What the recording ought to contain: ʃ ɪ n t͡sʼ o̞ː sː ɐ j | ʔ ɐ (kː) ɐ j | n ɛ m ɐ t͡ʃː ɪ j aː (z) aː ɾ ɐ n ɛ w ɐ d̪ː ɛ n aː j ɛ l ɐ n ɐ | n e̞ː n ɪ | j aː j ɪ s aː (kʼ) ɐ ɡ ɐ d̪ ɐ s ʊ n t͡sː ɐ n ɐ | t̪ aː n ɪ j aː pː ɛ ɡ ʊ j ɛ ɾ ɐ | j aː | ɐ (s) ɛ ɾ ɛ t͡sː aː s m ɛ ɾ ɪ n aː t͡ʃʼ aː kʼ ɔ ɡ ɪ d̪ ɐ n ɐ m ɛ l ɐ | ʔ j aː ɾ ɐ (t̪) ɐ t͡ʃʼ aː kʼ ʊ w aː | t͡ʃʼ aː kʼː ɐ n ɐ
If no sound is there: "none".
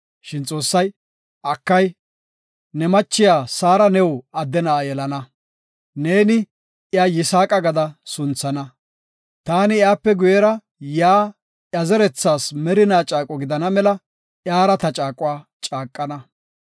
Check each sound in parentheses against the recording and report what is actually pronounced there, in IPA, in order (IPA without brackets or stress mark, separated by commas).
kː, s, kʼ, z, t̪